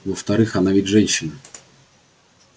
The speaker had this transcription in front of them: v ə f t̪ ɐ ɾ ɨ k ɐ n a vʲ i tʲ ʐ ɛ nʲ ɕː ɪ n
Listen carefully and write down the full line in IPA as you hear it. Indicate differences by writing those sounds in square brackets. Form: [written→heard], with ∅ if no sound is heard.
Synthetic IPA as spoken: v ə f t̪ ɐ ɾ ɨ [k→x] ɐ n a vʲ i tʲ ʐ ɛ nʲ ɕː ɪ n